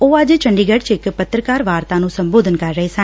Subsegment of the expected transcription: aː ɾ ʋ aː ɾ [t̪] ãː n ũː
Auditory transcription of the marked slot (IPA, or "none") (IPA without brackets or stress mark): t̪